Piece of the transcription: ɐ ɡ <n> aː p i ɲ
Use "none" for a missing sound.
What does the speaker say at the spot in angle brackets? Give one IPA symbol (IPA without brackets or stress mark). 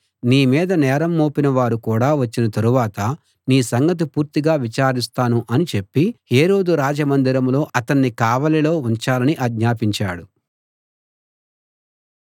ɲ